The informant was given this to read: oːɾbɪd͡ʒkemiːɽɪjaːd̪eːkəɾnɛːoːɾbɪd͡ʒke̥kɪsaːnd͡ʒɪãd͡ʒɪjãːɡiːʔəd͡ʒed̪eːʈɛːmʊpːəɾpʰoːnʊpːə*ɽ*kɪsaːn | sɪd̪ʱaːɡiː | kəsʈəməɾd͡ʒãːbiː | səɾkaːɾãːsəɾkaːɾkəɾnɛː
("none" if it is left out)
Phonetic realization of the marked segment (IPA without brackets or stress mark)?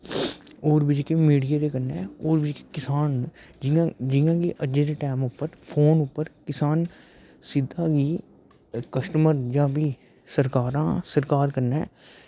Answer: ɾ